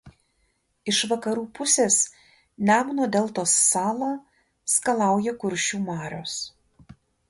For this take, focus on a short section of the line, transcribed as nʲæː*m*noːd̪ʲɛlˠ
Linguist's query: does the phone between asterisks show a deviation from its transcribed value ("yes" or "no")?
no